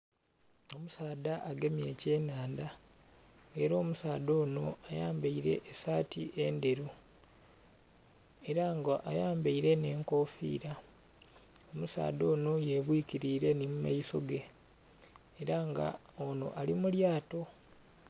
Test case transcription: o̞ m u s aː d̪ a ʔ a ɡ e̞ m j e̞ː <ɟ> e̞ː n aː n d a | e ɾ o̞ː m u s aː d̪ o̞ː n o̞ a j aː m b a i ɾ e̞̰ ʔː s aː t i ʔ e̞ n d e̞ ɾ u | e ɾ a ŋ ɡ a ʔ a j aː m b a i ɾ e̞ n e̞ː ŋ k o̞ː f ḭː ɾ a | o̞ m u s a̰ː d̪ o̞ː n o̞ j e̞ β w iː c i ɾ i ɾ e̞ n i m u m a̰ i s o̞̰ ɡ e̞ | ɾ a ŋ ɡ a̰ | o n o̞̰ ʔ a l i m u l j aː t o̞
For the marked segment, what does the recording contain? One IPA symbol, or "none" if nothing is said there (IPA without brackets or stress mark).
c